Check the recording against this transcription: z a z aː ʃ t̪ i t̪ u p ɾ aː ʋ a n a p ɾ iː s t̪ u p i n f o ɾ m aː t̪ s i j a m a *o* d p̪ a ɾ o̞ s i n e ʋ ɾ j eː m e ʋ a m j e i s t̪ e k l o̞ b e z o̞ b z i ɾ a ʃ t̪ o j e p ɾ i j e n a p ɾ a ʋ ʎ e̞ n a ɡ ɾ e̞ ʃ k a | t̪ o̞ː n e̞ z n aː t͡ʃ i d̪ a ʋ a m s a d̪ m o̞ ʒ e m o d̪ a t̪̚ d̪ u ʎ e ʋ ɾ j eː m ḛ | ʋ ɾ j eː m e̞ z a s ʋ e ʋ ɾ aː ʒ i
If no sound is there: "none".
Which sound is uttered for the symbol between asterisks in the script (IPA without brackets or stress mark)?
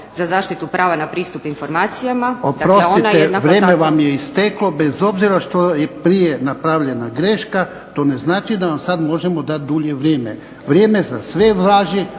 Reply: o